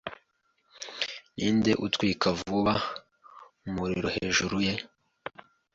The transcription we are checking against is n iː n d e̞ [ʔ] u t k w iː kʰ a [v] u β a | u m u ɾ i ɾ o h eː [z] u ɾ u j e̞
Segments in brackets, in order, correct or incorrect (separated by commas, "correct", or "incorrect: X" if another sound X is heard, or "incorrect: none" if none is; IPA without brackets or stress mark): correct, correct, incorrect: ʒ